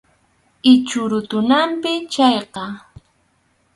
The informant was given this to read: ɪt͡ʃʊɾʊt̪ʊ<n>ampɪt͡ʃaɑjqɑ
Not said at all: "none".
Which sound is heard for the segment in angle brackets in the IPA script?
n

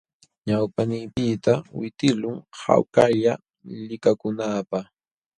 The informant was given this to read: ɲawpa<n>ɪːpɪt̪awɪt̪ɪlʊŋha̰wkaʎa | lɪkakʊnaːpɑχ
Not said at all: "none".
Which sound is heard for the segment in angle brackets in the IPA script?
n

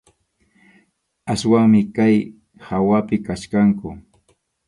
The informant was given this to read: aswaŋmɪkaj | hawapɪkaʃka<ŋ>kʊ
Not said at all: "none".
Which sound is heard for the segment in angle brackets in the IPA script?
ŋ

